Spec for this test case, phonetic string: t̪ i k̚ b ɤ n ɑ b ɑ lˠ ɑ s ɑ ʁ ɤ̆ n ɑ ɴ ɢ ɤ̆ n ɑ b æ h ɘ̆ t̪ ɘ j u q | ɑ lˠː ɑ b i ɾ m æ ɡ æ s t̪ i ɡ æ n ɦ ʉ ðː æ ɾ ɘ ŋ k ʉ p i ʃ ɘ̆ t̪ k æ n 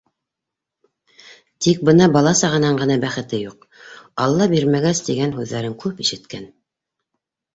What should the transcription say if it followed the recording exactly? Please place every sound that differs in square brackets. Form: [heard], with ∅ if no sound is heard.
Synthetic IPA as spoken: t̪ i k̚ b ɤ n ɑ b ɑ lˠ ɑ s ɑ ʁ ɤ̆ n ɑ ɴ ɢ ɤ̆ n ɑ b æ [χ] ɘ̆ t̪ ɘ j u q | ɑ lˠː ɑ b i ɾ m æ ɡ æ s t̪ i ɡ æ n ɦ ʉ ðː æ ɾ ɘ ŋ k ʉ p i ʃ ɘ̆ t̪ k æ n

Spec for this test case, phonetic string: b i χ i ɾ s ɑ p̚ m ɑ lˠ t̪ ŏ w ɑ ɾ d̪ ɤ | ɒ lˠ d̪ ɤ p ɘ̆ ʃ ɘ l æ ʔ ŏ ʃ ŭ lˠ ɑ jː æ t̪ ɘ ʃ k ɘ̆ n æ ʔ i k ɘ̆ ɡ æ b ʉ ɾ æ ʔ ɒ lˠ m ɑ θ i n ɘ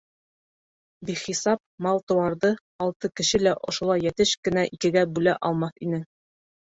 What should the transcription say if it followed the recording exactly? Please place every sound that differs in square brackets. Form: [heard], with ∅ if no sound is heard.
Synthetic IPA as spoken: b i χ i [∅] s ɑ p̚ m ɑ lˠ t̪ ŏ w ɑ ɾ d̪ ɤ | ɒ lˠ [t̪] ɤ [k] ɘ̆ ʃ ɘ l æ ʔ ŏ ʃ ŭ lˠ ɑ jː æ t̪ ɘ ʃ k ɘ̆ n æ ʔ i k ɘ̆ ɡ æ b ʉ [l] æ ʔ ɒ lˠ m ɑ θ i n ɘ

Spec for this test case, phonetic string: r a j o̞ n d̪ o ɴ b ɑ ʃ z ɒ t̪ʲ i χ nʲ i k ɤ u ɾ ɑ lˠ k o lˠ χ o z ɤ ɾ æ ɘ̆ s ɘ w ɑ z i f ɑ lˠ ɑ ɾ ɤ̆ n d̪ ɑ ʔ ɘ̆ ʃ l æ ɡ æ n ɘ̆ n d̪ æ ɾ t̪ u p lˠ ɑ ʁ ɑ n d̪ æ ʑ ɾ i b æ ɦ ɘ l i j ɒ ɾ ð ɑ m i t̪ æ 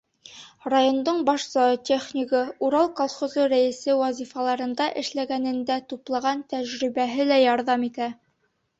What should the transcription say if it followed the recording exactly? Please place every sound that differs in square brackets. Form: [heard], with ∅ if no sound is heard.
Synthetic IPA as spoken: r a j o̞ n d̪ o ɴ b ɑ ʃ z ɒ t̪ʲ [e] χ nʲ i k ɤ u ɾ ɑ lˠ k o lˠ χ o z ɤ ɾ æ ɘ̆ s ɘ w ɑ z i f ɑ lˠ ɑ ɾ ɤ̆ n d̪ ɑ ʔ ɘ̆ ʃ l æ ɡ æ n ɘ̆ n d̪ æ [∅] t̪ u p lˠ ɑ ʁ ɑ n [t̪] æ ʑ ɾ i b æ ɦ ɘ l [æ] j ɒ ɾ ð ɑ m i t̪ æ

